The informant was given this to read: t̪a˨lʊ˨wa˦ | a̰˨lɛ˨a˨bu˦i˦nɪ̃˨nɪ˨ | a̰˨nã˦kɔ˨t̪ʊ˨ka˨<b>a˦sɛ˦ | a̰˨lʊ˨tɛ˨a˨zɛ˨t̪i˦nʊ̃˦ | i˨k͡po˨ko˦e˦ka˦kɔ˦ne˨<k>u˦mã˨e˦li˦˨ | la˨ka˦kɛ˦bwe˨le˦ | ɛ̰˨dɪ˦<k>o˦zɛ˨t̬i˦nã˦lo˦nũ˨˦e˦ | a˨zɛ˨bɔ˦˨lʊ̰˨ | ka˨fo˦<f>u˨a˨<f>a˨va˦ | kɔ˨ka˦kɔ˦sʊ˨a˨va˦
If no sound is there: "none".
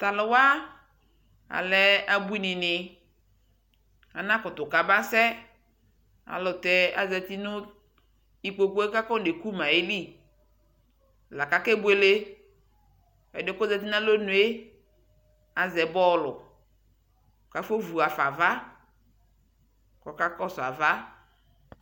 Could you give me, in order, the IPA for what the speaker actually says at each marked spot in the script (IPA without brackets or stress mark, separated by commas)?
b, k, k, v, f